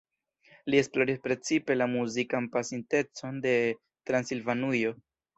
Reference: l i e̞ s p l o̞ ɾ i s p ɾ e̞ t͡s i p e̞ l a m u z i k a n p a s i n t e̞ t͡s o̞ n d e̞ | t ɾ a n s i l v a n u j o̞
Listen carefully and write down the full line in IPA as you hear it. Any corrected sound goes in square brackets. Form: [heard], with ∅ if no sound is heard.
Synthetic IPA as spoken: l i e̞ s p l o̞ ɾ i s p ɾ e̞ t͡s i p e̞ l a m u z i k a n p a s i n t e̞ t͡s o̞ n d e̞ | t ɾ a n s i l v a n u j o̞